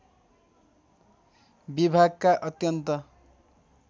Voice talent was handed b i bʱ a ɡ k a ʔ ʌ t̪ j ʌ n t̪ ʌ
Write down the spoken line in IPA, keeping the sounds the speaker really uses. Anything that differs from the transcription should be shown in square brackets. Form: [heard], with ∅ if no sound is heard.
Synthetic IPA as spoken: b i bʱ a ɡ k a ʔ ʌ t̪ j ʌ n t̪ ʌ